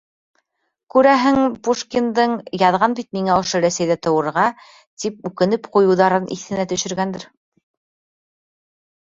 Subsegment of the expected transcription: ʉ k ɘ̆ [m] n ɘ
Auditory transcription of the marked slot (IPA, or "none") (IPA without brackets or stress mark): none